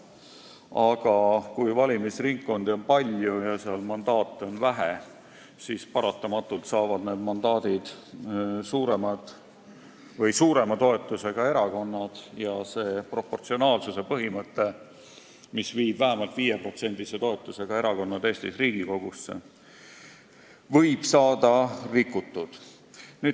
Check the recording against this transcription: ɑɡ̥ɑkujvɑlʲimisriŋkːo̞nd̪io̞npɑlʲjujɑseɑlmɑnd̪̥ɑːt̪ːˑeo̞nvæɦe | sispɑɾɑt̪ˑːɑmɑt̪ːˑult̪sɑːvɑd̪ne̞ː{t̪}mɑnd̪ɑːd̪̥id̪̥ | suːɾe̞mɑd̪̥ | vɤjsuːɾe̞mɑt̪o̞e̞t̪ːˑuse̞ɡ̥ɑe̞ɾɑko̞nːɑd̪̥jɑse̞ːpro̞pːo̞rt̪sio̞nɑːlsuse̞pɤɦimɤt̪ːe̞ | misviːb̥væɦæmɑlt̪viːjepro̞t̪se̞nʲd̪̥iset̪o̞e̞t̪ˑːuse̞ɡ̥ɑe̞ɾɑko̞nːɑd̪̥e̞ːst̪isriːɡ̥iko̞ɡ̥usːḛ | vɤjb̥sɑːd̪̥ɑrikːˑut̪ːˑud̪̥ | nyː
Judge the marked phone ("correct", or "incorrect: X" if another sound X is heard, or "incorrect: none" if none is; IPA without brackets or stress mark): incorrect: d̪